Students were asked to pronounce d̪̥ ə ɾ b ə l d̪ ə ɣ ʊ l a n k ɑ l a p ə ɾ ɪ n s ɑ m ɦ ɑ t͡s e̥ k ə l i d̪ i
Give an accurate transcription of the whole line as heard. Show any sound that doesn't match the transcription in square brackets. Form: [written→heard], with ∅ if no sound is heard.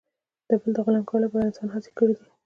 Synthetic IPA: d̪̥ ə [ɾ→∅] b ə l d̪ ə ɣ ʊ l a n k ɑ l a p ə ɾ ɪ n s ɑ [m→n] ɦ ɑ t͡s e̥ k ə [l→ɽ] i d̪ i